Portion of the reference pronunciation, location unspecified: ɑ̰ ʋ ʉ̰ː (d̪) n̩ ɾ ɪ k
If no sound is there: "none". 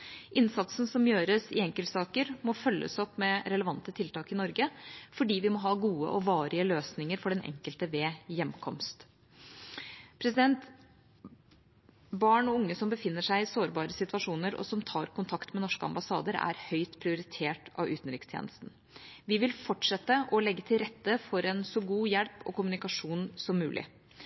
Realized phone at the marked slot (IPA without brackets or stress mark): t̪